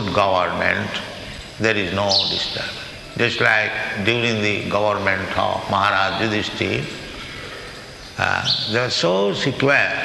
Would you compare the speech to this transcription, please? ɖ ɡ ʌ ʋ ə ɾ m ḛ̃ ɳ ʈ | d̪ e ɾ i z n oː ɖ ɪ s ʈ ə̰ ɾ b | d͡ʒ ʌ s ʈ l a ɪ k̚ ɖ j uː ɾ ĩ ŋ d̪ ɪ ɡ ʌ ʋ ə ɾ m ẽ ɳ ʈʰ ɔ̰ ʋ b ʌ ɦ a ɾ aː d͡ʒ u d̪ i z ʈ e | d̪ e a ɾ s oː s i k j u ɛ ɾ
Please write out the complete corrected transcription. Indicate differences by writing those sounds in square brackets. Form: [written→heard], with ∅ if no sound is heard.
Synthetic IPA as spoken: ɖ ɡ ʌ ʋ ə ɾ m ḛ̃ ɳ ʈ | d̪ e ɾ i z n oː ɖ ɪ s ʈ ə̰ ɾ b | d͡ʒ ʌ s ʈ l a ɪ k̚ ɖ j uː ɾ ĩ ŋ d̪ [ɪ→i] ɡ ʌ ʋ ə ɾ m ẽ ɳ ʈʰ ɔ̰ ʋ [b→m] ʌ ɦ a ɾ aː d͡ʒ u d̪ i [z→s] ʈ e | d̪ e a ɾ s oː s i k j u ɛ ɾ